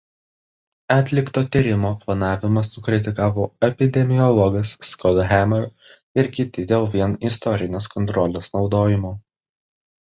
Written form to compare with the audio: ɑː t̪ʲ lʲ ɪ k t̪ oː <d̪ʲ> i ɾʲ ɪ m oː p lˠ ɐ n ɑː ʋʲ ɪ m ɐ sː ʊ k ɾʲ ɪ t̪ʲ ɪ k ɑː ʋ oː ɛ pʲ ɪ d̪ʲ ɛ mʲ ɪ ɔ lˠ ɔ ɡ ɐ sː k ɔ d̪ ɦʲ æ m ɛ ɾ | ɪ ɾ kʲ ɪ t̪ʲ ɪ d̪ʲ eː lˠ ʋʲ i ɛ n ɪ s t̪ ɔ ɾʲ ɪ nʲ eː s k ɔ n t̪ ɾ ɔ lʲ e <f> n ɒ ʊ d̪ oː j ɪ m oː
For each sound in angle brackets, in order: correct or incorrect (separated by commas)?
incorrect, incorrect